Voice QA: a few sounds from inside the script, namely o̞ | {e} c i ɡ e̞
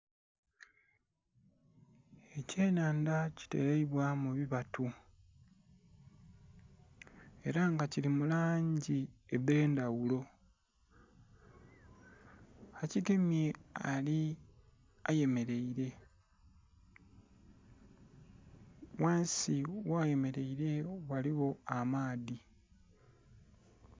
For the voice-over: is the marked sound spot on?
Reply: no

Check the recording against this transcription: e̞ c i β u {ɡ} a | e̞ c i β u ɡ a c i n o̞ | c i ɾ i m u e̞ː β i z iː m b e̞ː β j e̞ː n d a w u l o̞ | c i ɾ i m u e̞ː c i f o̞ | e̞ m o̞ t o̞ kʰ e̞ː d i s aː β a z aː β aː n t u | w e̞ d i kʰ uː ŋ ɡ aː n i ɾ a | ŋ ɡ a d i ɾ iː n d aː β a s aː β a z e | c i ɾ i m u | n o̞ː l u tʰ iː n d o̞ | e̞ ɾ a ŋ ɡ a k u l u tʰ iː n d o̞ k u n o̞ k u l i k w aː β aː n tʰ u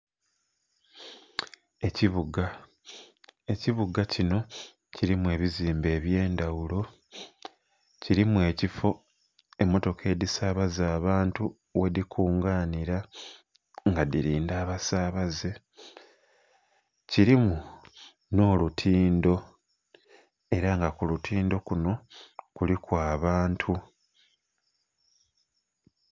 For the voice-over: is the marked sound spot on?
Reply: yes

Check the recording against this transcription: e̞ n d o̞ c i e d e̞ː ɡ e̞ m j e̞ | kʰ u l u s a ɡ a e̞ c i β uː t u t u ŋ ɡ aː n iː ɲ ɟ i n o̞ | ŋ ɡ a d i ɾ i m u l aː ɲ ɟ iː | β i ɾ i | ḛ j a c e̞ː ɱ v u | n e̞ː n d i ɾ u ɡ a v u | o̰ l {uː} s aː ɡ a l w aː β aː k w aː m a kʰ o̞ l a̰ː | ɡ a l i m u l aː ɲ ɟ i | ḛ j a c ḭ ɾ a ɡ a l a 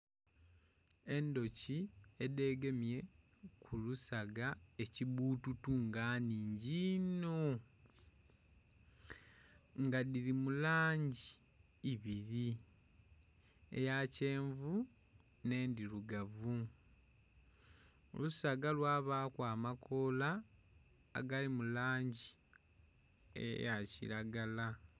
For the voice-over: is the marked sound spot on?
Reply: no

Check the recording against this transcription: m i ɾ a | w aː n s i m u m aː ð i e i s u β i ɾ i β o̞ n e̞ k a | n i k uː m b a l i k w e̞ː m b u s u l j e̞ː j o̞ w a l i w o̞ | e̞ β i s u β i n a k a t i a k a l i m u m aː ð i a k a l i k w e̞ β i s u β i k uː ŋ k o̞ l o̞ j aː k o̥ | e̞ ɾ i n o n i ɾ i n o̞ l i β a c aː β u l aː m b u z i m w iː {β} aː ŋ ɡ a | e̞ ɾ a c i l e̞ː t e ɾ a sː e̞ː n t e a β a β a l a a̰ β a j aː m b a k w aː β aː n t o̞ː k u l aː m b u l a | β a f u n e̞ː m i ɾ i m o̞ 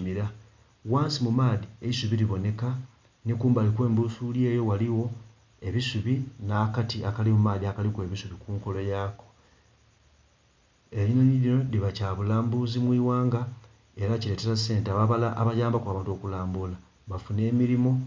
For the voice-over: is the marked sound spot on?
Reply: no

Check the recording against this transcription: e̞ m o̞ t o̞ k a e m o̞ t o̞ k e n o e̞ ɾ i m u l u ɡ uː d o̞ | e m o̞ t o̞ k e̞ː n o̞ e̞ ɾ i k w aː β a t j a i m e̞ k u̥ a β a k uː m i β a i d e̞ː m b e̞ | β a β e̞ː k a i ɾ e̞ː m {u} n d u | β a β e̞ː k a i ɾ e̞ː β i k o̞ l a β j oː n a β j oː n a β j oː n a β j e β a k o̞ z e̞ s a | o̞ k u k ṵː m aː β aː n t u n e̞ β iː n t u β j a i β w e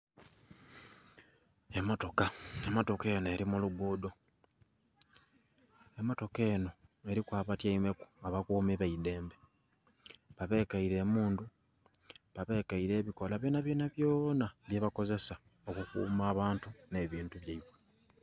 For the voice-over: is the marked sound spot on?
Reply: no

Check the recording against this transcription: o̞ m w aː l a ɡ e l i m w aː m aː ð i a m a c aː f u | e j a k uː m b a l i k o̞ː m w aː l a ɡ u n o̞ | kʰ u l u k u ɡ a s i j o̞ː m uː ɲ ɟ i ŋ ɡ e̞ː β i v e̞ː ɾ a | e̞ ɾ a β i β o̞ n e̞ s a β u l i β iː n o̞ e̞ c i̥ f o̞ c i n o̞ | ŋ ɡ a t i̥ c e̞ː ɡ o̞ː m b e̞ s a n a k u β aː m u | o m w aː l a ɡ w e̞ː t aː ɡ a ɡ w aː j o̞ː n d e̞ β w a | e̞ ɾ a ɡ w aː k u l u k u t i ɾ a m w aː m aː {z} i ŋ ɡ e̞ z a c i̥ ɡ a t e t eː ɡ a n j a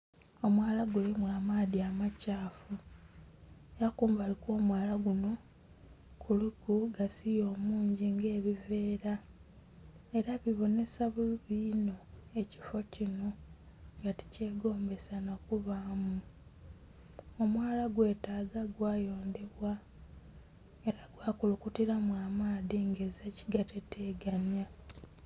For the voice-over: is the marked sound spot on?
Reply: no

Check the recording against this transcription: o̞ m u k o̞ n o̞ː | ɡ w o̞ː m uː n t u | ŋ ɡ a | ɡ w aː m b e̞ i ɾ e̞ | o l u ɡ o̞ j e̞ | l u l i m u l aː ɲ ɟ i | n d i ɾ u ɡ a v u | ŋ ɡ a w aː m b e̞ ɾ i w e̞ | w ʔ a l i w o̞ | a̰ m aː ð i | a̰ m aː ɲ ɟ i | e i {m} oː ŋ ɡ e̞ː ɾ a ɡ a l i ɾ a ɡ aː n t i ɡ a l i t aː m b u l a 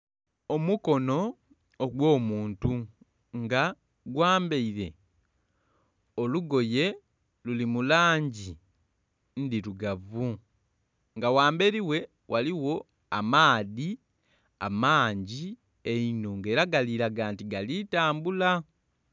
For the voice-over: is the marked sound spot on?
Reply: no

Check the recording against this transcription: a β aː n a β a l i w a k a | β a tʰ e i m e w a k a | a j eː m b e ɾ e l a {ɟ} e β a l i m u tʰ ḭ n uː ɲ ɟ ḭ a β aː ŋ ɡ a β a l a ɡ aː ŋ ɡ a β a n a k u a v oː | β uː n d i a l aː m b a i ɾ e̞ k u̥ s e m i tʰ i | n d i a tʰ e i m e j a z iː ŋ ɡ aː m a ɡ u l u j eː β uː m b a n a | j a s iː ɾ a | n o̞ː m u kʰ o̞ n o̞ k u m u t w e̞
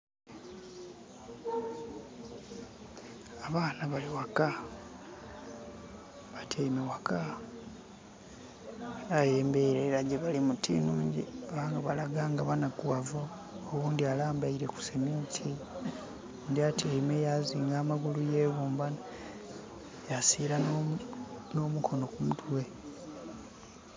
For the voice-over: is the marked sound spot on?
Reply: yes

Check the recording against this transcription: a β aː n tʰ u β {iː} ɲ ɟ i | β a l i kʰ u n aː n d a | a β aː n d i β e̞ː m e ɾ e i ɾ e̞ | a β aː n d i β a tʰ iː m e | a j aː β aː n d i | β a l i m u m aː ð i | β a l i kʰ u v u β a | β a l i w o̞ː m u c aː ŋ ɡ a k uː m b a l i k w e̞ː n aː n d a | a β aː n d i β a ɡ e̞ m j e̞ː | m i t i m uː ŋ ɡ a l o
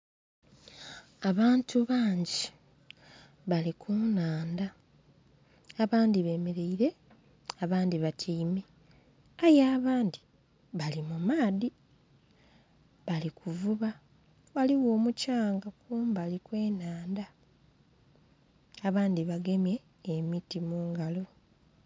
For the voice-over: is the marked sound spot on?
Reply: no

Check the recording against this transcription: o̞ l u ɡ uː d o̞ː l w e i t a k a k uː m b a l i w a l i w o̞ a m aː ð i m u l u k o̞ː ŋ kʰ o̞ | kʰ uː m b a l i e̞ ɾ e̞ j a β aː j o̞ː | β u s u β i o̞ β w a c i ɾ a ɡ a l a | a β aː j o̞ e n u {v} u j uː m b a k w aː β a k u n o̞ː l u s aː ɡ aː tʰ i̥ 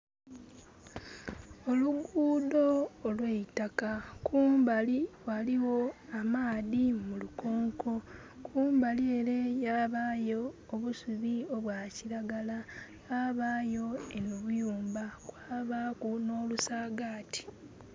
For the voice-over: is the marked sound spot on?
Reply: no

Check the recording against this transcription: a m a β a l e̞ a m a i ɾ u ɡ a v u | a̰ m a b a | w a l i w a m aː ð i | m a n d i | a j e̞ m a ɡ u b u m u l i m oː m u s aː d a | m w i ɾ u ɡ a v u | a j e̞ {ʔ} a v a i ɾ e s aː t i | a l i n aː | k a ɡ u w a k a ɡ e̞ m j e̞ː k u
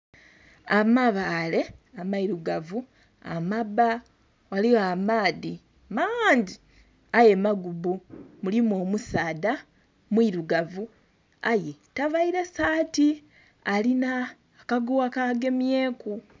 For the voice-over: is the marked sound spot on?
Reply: no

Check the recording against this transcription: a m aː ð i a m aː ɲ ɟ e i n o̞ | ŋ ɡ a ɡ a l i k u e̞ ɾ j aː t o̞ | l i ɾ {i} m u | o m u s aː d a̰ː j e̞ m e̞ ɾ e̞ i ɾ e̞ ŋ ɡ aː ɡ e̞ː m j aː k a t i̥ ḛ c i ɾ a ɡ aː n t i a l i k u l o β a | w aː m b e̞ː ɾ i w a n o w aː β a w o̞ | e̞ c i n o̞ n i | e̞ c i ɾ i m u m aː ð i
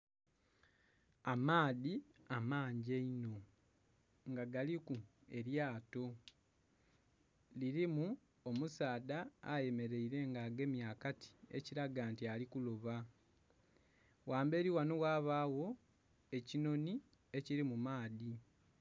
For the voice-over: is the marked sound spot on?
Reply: yes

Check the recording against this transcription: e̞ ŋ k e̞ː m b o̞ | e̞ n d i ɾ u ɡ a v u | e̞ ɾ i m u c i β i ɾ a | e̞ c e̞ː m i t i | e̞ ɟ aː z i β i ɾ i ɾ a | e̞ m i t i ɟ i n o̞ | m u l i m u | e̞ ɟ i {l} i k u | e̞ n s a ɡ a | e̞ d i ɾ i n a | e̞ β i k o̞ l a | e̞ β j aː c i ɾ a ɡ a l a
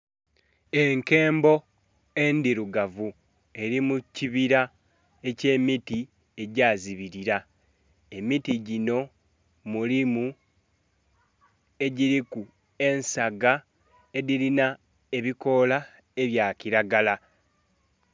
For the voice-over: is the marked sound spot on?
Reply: no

